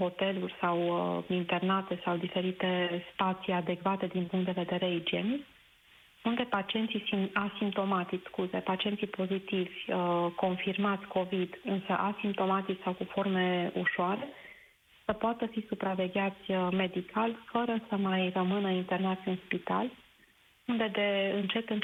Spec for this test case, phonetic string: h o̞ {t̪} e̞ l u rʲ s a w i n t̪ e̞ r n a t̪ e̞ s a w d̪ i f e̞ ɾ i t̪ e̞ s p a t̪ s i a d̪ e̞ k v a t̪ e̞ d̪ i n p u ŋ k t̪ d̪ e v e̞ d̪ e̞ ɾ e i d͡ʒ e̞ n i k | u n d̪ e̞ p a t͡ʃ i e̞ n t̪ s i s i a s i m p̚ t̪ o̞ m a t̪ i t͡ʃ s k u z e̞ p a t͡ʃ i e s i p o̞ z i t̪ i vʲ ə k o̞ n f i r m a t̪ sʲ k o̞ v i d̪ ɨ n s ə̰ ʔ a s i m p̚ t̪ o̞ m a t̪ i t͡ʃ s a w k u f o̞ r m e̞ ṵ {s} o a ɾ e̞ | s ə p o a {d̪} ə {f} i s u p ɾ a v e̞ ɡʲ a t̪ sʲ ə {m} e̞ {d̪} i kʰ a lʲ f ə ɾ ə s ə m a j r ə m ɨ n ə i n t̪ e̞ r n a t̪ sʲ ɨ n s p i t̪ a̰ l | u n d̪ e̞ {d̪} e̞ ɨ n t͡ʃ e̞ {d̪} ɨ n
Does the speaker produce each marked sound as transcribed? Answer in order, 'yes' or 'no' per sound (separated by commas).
yes, no, no, yes, yes, yes, yes, no